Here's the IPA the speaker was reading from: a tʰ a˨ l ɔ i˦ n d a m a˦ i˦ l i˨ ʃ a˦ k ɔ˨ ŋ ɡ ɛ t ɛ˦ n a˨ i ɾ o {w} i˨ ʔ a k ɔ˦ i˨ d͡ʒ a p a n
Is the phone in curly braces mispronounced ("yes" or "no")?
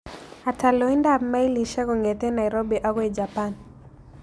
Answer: yes